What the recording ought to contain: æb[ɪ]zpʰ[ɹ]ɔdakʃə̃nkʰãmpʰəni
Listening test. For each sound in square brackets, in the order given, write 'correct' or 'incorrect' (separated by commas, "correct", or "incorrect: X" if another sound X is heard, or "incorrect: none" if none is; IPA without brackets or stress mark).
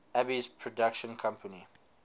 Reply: incorrect: i, correct